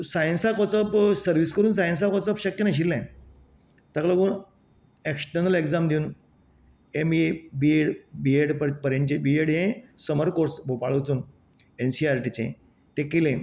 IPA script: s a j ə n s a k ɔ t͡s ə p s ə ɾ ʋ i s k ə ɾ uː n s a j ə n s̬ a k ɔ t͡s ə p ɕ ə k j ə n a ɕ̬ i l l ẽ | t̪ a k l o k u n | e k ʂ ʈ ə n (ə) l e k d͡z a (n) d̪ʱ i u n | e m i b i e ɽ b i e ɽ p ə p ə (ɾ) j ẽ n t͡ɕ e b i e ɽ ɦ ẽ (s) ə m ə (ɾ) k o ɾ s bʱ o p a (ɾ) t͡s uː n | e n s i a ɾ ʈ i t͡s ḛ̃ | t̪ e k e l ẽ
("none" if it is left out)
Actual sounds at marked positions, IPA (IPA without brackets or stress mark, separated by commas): ə, m, ɾ, s, ɾ, ɭ